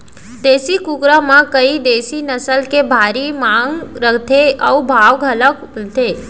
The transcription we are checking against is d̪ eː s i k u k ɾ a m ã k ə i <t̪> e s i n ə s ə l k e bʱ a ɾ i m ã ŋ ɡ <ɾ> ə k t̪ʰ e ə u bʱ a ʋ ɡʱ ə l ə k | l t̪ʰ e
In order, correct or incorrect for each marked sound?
incorrect: d̪, correct

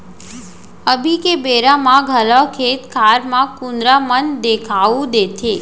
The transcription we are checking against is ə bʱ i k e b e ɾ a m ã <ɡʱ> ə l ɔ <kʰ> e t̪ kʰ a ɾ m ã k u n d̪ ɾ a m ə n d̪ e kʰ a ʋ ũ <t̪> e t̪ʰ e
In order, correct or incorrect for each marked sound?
correct, correct, incorrect: d̪

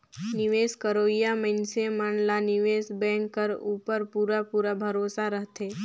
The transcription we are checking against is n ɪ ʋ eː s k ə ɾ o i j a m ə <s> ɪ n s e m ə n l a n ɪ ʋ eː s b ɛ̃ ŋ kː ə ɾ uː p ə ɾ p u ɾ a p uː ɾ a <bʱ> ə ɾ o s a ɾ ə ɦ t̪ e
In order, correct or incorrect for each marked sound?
incorrect: none, correct

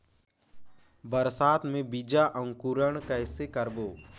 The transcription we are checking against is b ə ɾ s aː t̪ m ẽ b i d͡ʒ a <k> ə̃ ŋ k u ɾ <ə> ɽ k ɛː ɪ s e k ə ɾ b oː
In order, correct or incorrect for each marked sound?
incorrect: ʔ, correct

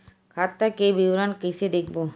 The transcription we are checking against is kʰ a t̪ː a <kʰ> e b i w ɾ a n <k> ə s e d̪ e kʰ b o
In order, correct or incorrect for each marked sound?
incorrect: k, correct

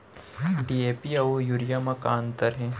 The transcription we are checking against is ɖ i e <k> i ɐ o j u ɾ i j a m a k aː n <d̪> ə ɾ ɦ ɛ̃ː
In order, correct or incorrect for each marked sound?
incorrect: p, incorrect: t̪

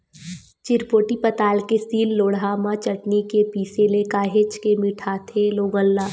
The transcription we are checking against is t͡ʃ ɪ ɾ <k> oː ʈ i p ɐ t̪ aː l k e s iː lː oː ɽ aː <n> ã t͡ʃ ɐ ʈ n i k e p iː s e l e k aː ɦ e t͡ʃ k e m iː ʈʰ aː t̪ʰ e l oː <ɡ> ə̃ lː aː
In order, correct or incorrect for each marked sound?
incorrect: p, incorrect: m, correct

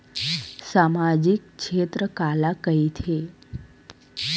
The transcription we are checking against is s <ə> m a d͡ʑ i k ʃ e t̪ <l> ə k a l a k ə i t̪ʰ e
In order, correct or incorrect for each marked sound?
incorrect: a, incorrect: ɾ

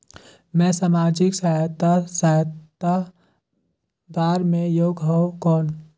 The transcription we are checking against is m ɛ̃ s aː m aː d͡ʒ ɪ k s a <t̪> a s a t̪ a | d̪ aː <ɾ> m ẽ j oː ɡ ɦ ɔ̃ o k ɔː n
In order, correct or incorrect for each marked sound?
correct, correct

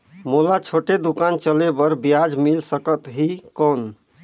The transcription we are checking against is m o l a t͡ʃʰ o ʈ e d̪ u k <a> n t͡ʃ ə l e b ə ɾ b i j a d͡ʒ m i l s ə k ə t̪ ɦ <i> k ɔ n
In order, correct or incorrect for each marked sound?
correct, correct

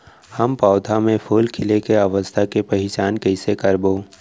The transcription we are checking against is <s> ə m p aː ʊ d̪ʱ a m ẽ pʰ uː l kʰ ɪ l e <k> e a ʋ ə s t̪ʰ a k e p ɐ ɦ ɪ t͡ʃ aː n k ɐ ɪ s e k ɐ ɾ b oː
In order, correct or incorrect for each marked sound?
incorrect: h, correct

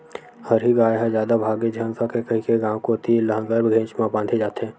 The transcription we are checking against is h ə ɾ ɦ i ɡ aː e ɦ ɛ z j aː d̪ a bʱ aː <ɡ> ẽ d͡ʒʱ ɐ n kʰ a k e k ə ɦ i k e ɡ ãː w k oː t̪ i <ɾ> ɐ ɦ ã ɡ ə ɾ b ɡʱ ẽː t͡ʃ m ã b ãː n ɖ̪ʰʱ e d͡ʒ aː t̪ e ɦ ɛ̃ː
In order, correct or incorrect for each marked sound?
correct, incorrect: l

